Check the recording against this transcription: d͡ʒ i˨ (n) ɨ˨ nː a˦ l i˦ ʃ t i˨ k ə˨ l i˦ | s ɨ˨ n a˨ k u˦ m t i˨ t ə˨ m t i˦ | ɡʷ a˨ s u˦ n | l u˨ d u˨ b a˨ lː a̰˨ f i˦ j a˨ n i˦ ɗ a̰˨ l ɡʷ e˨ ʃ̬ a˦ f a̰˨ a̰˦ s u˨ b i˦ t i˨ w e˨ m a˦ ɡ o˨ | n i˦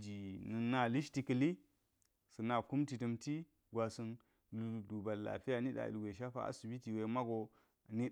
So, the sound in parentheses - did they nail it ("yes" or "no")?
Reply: yes